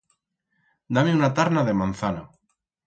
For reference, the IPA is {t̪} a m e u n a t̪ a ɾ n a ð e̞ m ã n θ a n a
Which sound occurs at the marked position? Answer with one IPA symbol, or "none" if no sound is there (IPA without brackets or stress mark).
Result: d̪